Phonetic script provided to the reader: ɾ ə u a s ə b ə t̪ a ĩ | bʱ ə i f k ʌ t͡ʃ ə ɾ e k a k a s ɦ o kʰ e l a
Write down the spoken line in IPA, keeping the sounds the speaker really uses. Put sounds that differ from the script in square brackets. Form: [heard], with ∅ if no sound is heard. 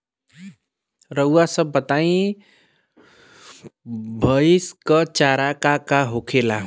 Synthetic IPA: ɾ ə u a s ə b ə t̪ a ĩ | bʱ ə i [s] k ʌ t͡ʃ [a] ɾ [a] k a k a [∅] ɦ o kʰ e l a